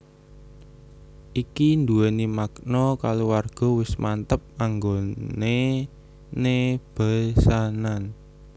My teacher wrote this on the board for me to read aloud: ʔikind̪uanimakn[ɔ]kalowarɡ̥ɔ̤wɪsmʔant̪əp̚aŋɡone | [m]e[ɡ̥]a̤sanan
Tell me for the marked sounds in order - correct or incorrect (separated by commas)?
correct, incorrect, incorrect